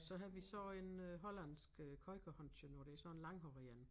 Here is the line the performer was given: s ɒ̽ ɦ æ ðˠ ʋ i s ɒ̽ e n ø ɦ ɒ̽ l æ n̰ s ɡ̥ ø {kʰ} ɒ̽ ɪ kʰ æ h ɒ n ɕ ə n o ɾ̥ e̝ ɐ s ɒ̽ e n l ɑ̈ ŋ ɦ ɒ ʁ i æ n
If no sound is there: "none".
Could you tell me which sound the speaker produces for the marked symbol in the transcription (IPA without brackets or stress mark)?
kʰ